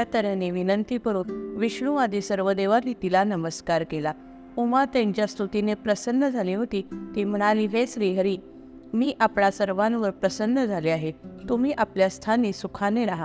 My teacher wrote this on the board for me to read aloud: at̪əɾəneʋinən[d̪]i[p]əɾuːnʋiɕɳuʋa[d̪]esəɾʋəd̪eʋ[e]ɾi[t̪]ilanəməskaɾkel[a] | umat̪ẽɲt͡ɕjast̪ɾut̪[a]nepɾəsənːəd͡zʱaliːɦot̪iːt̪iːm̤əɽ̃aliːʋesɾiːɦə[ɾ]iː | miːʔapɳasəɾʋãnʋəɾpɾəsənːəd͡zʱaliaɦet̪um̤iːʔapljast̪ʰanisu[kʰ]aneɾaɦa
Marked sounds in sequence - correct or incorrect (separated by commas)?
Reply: incorrect, correct, correct, incorrect, correct, correct, incorrect, correct, correct